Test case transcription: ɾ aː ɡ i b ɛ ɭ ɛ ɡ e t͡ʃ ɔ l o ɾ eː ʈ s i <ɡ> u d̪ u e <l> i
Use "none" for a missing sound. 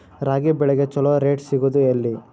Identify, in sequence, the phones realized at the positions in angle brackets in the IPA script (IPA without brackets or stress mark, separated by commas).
ɡ, lː